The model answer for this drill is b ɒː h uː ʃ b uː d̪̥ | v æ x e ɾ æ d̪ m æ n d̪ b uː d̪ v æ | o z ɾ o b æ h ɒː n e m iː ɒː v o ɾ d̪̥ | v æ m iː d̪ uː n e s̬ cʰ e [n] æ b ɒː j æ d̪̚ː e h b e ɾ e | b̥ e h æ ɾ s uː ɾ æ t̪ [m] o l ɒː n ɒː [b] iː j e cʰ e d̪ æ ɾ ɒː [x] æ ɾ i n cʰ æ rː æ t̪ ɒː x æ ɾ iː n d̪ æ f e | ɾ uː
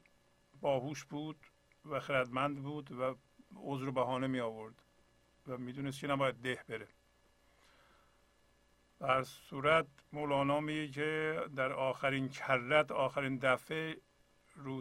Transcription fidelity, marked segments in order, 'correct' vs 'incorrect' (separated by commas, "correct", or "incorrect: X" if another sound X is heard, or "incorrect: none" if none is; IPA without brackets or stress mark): correct, correct, incorrect: m, correct